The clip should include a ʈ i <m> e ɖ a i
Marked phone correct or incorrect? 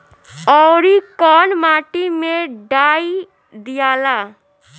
correct